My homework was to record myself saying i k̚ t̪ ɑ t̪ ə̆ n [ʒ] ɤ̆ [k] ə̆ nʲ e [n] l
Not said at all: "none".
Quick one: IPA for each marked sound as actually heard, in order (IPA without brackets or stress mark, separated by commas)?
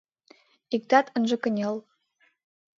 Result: ʒ, k, none